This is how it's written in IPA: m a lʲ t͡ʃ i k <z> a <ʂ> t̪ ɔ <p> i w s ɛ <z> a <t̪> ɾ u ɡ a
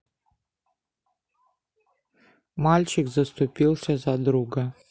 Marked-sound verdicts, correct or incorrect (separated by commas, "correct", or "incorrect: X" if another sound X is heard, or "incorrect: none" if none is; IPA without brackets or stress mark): correct, incorrect: s, correct, correct, incorrect: d̪